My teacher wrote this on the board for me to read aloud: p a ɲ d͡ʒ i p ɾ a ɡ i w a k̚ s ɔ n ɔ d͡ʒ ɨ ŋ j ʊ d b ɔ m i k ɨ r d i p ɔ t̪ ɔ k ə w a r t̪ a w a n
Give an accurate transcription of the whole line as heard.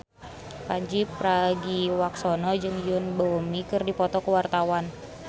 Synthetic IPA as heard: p a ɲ d͡ʒ i p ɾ a ɡ i w a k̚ s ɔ n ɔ d͡ʒ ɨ ŋ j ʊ n b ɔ m i k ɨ r d i p ɔ t̪ ɔ k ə w a r t̪ a w a n

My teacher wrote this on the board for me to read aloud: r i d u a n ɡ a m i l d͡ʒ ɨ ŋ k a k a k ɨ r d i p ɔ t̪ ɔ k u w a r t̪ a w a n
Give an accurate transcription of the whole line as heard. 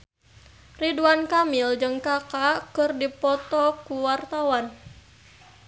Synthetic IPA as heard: r i d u a n k a m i l d͡ʒ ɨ ŋ k a k a k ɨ r d i p ɔ t̪ ɔ k u w a r t̪ a w a n

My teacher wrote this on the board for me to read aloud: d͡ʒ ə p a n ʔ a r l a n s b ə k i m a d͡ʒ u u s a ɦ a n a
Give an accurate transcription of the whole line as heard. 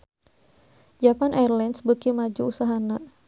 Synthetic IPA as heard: d͡ʒ a p a n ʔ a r l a n s b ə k i m a d͡ʒ u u s a ɦ a n a

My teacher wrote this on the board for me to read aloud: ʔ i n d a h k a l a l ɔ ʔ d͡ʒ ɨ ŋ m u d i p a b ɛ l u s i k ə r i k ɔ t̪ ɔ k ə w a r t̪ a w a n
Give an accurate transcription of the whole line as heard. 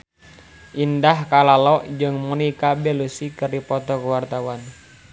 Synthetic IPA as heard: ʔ i n d a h k a l a l ɔ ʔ d͡ʒ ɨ ŋ m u n i k a b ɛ l u s i k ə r i p ɔ t̪ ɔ k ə w a r t̪ a w a n

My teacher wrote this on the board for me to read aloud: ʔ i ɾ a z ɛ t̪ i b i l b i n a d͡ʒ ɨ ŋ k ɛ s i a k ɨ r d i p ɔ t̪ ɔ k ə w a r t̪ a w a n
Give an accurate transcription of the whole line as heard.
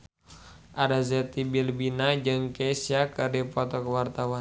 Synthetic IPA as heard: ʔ a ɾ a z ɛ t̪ i b i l b i n a d͡ʒ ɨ ŋ k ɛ s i a k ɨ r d i p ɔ t̪ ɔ k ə w a r t̪ a w a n

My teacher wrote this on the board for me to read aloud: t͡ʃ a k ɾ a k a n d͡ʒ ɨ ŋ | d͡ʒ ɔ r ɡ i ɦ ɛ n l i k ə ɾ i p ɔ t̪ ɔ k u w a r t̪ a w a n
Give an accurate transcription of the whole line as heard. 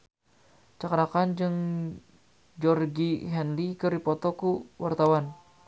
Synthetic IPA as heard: t͡ʃ a k ɾ a k a n d͡ʒ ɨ ŋ | d͡ʒ ɔ r ɡ i ɦ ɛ n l i k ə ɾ i p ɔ t̪ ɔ k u w a r t̪ a w a n

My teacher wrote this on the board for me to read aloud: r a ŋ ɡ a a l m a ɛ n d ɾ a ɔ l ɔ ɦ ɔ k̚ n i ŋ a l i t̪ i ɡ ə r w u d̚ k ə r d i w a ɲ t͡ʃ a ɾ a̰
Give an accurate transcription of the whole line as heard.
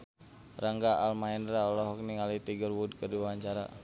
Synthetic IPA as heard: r a ŋ ɡ a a l m a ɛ n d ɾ a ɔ l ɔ ɦ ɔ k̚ n i ŋ a l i t̪ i ɡ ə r w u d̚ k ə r d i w a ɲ t͡ʃ a ɾ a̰

